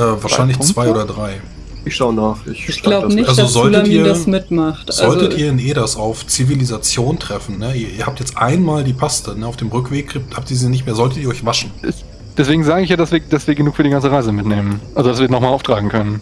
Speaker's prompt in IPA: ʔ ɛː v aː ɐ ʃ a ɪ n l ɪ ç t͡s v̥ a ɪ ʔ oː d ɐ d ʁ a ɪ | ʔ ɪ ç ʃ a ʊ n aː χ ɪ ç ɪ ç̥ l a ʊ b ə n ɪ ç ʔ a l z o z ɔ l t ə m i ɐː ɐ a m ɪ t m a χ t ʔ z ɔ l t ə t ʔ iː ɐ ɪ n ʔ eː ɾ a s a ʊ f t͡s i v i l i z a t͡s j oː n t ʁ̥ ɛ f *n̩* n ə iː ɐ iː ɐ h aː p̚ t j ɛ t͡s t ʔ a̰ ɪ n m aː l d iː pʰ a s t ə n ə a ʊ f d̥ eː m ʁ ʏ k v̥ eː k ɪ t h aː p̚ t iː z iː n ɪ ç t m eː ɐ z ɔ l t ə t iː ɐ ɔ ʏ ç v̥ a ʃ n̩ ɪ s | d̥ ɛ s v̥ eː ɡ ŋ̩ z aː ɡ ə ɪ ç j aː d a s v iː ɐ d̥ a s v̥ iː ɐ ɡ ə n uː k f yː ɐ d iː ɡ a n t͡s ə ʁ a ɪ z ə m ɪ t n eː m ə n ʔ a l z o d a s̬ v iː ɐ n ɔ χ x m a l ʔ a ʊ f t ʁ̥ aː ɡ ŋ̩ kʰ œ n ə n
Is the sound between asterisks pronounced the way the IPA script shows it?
yes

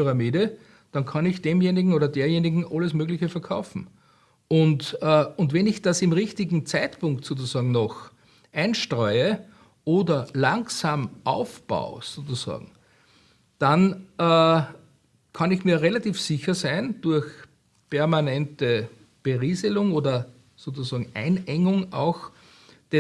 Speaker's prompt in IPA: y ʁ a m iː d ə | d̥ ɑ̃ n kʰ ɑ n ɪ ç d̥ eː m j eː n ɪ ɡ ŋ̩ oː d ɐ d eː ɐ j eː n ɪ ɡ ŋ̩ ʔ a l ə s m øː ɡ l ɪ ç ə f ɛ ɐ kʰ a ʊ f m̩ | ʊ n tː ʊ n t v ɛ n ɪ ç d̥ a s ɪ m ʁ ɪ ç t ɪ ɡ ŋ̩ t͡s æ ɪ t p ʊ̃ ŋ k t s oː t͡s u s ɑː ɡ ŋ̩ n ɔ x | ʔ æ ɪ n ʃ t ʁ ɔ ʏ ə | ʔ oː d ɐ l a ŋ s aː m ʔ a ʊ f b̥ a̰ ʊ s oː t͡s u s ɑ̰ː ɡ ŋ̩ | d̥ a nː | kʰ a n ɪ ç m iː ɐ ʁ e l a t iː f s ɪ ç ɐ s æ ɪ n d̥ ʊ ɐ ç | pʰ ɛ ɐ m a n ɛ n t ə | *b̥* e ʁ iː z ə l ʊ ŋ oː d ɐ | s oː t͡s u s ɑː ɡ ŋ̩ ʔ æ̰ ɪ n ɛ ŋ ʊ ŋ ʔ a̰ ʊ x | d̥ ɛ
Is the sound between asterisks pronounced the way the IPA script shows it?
yes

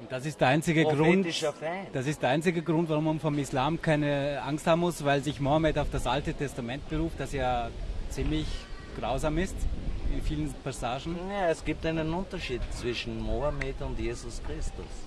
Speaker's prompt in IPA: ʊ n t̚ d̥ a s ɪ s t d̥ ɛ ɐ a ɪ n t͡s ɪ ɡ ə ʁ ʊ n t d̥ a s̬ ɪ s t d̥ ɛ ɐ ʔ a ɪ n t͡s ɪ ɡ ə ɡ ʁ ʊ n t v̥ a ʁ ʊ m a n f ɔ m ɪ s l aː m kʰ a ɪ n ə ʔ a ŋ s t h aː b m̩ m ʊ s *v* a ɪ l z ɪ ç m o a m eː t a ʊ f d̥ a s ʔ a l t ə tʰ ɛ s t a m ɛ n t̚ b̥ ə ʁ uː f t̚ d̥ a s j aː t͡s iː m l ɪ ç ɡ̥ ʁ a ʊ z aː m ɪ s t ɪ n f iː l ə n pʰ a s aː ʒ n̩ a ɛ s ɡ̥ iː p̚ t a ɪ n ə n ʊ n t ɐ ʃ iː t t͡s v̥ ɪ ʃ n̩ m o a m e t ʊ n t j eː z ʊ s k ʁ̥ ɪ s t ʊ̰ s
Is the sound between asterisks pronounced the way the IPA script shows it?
yes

